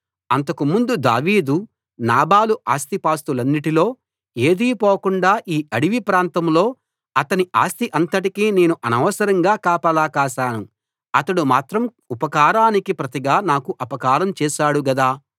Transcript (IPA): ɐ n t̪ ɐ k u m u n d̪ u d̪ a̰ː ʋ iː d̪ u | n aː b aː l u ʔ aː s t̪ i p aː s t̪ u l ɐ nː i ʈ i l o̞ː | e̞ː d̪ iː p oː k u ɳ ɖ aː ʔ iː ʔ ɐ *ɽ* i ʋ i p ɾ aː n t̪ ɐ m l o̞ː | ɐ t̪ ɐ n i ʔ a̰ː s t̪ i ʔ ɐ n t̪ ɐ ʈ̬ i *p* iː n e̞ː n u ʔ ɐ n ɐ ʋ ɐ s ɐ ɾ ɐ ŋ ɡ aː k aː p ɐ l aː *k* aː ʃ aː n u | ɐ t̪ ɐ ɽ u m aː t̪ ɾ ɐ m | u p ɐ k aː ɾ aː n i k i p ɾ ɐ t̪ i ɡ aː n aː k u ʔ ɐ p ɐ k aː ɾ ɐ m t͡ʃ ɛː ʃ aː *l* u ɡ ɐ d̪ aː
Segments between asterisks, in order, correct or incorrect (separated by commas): correct, incorrect, correct, incorrect